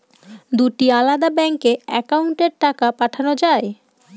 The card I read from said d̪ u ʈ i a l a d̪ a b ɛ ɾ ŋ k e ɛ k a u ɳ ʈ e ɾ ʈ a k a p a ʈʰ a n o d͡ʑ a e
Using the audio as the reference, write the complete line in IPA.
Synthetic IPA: d̪ u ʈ i a l a d̪ a b ɛ ŋ k e ɛ k a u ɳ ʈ e ɾ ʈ a k a p a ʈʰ a n o d͡ʑ a e